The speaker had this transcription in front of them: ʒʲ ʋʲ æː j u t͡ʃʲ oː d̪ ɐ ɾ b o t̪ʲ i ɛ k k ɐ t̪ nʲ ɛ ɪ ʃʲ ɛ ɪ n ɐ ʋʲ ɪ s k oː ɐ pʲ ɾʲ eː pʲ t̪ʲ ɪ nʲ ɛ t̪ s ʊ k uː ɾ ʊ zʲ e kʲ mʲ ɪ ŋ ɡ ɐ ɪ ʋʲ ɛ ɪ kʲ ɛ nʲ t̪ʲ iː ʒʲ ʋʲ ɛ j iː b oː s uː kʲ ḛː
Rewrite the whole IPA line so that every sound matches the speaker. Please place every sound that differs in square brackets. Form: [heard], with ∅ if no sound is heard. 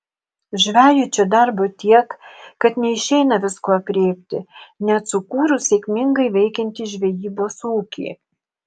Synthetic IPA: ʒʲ ʋʲ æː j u t͡ʃʲ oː d̪ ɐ ɾ b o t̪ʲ i ɛ k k ɐ t̪ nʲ ɛ ɪ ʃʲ ɛ ɪ n ɐ ʋʲ ɪ s k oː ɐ pʲ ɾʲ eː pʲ t̪ʲ ɪ nʲ ɛ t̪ s ʊ k uː ɾ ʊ [sʲ] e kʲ mʲ ɪ ŋ ɡ ɐ ɪ ʋʲ ɛ ɪ kʲ ɛ nʲ t̪ʲ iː ʒʲ ʋʲ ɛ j iː b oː s uː kʲ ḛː